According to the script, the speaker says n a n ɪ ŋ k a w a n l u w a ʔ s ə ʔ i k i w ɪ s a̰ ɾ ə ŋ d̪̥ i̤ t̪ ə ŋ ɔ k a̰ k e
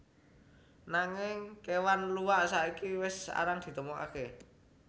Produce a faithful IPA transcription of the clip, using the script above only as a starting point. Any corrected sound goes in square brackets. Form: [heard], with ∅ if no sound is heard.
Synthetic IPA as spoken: n a [ŋ] ɪ ŋ k [e] w a n l u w a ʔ s [a] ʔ i k i w ɪ s a̰ ɾ [a] ŋ d̪̥ i̤ t̪ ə [m] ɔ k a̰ k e